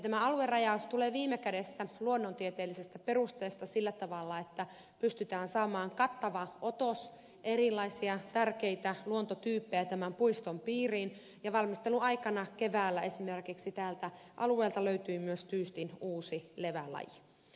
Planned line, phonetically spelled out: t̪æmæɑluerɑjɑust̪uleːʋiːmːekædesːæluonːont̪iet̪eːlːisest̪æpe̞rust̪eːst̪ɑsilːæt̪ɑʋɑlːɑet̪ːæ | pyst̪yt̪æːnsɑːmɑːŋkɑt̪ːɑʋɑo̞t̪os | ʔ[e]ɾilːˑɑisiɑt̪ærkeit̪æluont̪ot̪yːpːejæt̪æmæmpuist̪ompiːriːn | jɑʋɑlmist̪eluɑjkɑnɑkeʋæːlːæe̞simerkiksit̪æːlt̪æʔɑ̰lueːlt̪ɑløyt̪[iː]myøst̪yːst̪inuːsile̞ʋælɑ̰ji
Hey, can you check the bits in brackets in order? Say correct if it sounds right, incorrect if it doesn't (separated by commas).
correct, incorrect